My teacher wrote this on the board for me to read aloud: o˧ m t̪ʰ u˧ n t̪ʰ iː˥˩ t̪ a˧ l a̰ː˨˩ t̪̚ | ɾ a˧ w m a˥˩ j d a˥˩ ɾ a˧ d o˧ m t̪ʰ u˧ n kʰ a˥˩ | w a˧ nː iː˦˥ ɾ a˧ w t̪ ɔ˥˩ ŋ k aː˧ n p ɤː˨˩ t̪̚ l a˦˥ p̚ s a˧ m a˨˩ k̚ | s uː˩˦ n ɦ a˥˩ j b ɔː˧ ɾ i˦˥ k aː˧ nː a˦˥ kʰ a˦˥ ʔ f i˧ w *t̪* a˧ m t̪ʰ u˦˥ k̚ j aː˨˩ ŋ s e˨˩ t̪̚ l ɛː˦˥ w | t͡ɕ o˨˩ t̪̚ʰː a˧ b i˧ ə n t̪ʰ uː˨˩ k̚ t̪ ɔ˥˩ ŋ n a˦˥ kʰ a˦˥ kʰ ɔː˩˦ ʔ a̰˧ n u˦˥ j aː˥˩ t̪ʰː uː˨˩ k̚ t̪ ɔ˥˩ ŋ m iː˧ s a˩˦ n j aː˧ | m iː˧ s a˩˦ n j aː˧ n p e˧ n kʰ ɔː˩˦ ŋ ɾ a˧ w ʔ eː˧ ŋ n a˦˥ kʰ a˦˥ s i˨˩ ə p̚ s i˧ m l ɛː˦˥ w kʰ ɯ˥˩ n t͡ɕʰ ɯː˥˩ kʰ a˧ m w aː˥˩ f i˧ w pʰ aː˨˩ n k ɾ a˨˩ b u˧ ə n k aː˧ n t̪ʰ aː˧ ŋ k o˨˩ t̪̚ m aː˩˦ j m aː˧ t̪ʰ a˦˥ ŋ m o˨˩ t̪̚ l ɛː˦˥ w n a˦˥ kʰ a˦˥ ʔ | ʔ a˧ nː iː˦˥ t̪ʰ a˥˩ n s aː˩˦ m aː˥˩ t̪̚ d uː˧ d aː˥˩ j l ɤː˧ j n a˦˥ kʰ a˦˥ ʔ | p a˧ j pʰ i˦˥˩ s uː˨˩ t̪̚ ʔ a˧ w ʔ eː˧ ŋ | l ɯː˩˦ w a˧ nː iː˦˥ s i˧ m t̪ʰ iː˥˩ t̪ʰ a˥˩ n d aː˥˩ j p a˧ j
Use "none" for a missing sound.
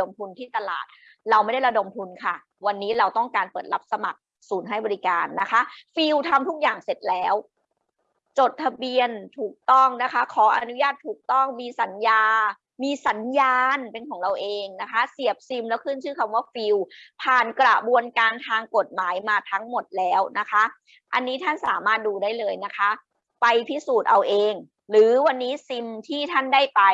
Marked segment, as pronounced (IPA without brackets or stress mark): t̪ʰ